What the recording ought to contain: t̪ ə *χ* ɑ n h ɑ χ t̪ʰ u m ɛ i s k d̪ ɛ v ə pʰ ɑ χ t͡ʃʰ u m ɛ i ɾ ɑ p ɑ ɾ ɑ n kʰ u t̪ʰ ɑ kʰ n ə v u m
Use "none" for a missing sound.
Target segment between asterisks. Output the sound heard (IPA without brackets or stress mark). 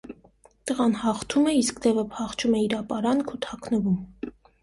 ʁ